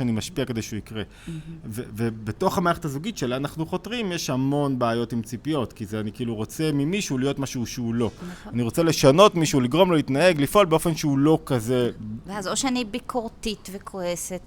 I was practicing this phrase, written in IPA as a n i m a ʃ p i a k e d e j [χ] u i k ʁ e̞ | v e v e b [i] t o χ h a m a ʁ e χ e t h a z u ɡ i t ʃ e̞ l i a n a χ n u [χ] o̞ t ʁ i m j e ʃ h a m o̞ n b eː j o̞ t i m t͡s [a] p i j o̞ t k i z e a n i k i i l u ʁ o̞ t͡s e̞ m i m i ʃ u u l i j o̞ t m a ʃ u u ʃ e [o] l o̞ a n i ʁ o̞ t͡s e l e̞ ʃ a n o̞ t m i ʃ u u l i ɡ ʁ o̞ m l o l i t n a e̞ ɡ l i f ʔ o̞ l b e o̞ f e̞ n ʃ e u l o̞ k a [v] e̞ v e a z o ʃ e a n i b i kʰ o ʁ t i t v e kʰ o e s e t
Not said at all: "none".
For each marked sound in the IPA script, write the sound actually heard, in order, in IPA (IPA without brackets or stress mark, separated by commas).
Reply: ʃ, e, χ, i, u, z